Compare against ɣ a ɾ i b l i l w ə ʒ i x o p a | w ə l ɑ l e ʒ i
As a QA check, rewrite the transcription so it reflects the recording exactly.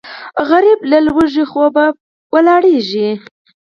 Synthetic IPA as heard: ɣ a ɾ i b l a l w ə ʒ i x o b a | w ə l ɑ ɽ e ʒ i